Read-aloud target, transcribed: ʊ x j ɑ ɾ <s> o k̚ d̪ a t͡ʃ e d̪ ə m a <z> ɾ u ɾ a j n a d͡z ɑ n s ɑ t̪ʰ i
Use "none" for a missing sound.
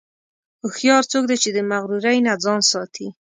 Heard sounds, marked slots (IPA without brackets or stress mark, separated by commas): t͡s, ɣ